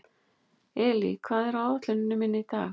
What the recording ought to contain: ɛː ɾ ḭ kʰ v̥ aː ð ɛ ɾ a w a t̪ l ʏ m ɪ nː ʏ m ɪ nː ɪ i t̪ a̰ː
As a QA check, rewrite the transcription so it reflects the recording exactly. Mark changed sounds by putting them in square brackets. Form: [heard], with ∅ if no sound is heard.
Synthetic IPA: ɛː [l] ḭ kʰ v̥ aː ð ɛ ɾ a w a t̪ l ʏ [n] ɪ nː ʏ m ɪ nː ɪ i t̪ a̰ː